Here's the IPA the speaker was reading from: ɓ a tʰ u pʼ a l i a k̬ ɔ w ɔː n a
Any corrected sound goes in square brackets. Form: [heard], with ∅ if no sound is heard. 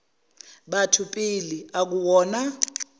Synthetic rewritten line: ɓ a tʰ u pʼ [i] l i a k̬ [u] w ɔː n a